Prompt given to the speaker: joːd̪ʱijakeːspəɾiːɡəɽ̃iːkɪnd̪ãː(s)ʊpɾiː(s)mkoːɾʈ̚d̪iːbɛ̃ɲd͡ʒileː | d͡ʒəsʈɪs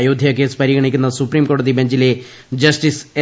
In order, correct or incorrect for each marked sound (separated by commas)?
correct, incorrect